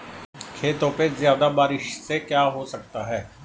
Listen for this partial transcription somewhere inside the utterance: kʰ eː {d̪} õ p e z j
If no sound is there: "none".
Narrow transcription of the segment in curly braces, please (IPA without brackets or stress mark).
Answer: t̪